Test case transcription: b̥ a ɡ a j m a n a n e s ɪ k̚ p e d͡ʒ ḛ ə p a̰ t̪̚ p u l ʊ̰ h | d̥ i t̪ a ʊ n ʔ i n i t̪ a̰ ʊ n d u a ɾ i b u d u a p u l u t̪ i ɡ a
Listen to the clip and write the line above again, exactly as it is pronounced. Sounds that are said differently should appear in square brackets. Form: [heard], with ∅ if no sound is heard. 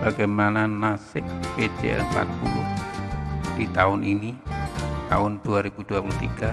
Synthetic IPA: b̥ a ɡ a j m a n a n [a] s ɪ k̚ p e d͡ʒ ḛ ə p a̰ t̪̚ p u l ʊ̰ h | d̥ i t̪ a ʊ n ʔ i n i t̪ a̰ ʊ n d u a ɾ i b u d u a p u l u t̪ i ɡ a